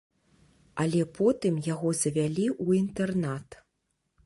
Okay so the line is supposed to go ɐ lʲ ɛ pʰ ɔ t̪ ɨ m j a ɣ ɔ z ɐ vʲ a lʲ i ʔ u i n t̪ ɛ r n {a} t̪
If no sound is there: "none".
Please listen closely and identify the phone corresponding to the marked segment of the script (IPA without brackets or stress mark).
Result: a